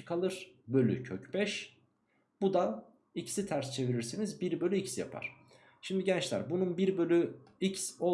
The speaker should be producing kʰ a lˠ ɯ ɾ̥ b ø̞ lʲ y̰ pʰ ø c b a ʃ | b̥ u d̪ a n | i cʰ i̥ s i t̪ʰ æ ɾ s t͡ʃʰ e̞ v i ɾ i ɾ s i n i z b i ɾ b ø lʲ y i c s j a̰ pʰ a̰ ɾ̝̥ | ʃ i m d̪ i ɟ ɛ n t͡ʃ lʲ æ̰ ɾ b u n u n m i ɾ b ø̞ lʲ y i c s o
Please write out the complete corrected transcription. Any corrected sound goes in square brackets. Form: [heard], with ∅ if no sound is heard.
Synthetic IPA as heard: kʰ a lˠ ɯ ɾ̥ b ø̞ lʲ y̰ [cʰ] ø c b [ɛ] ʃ | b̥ u d̪ a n | i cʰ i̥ s i t̪ʰ æ ɾ s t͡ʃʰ e̞ v i ɾ i ɾ s i n i z b i ɾ b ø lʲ y i c s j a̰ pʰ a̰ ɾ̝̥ | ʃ i m d̪ i ɟ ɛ n t͡ʃ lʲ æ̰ ɾ b u n u n [b] i ɾ b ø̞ lʲ y i c s o